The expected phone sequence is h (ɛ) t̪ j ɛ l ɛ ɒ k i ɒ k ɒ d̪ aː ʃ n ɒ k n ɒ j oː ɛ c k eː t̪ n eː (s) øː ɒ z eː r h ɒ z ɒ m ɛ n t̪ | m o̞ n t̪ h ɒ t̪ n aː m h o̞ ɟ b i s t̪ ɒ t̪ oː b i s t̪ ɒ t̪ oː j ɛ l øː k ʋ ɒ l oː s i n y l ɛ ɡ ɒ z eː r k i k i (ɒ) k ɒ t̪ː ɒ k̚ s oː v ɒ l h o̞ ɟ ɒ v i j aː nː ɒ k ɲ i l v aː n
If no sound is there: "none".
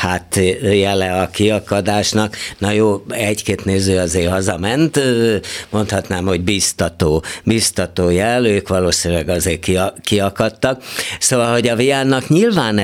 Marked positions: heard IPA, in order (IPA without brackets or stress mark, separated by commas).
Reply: a, z, ɒ